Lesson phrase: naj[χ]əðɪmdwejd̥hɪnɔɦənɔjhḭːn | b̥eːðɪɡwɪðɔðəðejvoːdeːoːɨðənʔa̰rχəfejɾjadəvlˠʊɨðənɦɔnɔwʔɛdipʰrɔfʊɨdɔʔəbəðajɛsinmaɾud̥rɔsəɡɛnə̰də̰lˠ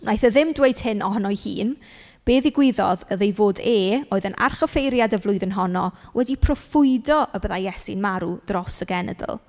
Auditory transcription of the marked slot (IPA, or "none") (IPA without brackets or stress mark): θ